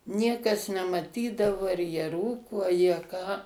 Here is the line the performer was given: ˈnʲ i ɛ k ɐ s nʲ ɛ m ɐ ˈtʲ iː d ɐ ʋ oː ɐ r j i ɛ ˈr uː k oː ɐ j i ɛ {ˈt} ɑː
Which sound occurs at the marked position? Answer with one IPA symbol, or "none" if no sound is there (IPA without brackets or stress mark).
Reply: k